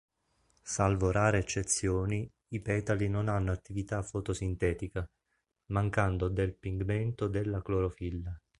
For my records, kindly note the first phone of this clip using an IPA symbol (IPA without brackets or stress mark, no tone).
s